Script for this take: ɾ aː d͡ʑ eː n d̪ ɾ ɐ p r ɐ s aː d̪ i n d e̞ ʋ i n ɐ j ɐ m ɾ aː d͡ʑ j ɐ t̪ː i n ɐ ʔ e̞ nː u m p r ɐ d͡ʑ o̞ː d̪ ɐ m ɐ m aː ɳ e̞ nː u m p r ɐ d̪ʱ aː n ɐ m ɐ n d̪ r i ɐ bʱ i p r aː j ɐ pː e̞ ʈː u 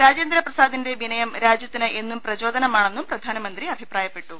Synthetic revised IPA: ɾ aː d͡ʑ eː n d̪ ɾ ɐ p r ɐ s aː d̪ i n d e̞ ʋ i n ɐ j ɐ m ɾ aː d͡ʑ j ɐ t̪ː i n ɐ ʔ e̞ nː u m p r ɐ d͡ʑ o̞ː d̪ ɐ n ɐ m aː ɳ e̞ nː u m p r ɐ d̪ʱ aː n ɐ m ɐ n d̪ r i ɐ bʱ i p r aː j ɐ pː e̞ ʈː u